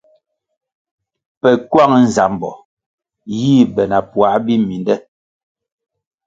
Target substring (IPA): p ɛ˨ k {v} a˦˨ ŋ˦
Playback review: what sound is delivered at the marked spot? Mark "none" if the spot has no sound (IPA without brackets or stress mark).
w